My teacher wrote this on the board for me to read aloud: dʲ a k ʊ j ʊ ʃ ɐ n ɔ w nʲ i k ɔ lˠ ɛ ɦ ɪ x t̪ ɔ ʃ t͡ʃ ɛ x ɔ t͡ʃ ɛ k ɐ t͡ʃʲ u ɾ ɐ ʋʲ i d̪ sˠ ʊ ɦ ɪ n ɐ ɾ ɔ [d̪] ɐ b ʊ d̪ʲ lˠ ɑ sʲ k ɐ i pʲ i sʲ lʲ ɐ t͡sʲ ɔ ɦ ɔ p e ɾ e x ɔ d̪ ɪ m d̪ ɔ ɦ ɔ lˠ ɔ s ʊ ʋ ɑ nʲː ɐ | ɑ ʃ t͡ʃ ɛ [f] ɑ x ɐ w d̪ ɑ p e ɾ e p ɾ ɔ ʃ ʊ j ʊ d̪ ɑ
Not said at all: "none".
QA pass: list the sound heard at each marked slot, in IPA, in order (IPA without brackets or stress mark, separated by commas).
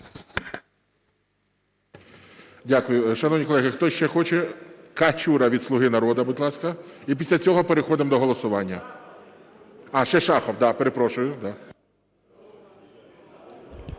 d̪, ʃ